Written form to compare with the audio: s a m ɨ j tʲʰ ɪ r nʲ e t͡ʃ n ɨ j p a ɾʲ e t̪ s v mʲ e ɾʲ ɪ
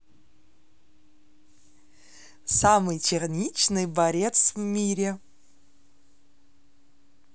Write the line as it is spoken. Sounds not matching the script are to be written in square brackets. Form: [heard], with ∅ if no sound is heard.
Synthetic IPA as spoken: s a m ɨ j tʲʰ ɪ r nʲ [i] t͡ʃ n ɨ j [b] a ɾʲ e t̪ s v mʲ [i] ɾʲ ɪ